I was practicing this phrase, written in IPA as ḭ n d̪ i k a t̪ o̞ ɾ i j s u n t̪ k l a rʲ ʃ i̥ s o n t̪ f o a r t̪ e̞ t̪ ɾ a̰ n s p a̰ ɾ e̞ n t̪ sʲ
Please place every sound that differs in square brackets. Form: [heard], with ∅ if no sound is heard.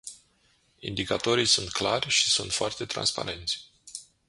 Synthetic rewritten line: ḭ n d̪ i k a t̪ o̞ ɾ i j s u n t̪ k l a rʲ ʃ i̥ s [u] n t̪ f o a r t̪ e̞ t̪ ɾ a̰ n s p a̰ ɾ e̞ n t̪ sʲ